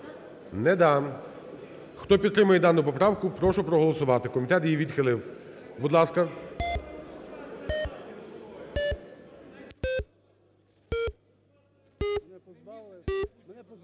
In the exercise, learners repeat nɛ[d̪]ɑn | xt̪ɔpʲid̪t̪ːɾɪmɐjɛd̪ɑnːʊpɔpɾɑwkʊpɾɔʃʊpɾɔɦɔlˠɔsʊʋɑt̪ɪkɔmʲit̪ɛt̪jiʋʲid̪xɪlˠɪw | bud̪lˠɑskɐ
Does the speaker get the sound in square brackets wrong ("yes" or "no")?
no